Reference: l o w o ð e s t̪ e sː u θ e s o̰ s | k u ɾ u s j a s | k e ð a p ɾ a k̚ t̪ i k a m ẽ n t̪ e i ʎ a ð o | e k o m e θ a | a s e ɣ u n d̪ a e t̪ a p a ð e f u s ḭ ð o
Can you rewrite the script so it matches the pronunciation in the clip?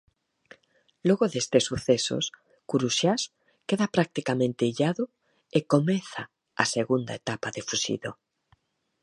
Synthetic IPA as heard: l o ɣ o ð e s t̪ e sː u θ e s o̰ s | k u ɾ u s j a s | k e ð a p ɾ a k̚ t̪ i k a m ẽ n t̪ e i ʎ a ð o | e k o m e θ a | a s e ɣ u n d̪ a e t̪ a p a ð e f u s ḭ ð o